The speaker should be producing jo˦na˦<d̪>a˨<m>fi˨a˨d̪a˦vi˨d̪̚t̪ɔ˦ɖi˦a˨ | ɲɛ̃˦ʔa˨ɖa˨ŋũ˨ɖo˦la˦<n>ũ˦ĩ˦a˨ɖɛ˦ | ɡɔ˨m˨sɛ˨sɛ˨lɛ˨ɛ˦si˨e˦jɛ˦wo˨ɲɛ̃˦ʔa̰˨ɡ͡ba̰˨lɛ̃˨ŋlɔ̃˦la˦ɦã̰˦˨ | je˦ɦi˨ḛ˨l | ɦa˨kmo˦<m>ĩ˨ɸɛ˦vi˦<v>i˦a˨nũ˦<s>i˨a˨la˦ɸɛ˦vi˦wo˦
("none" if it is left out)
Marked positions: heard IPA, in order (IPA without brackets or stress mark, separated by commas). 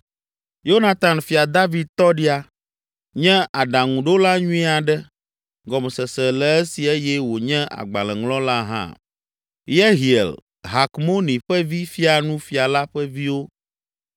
t̪, n, ɲ, n, f, f